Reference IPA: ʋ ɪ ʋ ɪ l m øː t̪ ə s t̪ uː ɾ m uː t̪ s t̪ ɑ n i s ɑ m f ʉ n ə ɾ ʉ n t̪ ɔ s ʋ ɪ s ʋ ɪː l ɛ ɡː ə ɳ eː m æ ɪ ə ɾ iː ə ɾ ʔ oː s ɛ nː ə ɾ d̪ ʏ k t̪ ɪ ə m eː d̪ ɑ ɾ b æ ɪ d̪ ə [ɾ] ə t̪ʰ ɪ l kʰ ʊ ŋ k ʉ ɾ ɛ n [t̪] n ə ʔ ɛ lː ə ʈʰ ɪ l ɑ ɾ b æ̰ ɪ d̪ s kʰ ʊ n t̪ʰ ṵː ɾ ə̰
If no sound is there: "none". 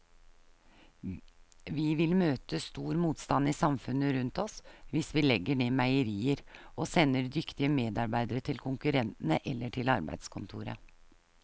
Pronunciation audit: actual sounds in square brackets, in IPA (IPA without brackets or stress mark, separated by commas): ɾ, t̪